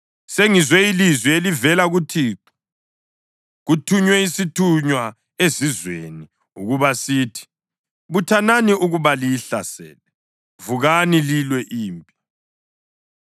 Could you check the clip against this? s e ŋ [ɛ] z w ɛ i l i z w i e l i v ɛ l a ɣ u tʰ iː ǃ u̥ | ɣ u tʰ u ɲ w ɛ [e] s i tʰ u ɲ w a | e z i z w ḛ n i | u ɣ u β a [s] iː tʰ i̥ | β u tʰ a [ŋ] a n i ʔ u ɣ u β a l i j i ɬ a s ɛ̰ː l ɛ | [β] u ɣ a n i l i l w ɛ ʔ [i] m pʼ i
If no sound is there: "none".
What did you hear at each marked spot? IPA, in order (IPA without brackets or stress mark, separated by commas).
i, i, s, n, v, iː